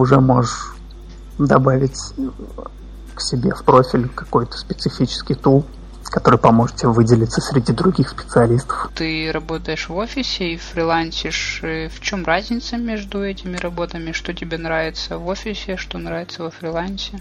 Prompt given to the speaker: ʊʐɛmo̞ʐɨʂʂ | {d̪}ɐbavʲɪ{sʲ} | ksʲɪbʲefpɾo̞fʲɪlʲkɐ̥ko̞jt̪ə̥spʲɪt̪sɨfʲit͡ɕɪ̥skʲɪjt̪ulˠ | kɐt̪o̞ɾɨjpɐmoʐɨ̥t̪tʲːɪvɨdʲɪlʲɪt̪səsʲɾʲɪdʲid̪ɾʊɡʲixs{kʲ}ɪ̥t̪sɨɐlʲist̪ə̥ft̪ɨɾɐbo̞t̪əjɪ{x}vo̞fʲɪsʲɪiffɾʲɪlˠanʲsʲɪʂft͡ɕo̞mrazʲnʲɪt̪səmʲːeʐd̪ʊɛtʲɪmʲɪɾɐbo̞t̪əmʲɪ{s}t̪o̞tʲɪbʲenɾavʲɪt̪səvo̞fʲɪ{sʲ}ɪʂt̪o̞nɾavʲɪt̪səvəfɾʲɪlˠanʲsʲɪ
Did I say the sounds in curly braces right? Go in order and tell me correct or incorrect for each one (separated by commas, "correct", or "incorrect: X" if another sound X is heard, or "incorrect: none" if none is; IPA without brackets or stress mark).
correct, incorrect: tʲ, incorrect: pʲ, incorrect: ʂ, incorrect: ʂ, correct